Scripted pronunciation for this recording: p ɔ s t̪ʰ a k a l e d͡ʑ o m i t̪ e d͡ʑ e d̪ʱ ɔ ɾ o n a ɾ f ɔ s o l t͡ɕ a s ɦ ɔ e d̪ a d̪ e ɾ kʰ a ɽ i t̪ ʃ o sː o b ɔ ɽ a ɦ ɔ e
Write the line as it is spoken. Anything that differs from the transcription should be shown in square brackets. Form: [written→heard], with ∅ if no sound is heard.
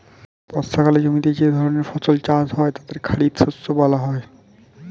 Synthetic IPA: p ɔ s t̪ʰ a k a l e d͡ʑ o m i t̪ e d͡ʑ e d̪ʱ ɔ ɾ o n [a→e] ɾ f ɔ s o l t͡ɕ a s ɦ ɔ e [d̪→t̪] a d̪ e ɾ kʰ a ɽ i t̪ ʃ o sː o b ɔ [ɽ→l] a ɦ ɔ e